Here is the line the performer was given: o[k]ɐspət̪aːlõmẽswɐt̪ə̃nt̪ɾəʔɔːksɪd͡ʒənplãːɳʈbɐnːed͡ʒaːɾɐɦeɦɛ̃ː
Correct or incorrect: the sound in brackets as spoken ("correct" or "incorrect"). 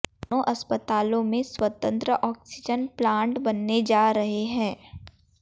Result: incorrect